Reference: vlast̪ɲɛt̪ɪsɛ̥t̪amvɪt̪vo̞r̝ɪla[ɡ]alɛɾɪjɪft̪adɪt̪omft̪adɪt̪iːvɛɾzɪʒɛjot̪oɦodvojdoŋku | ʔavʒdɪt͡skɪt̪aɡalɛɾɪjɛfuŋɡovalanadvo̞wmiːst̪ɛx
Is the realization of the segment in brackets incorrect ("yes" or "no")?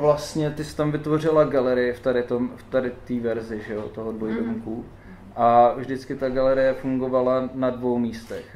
no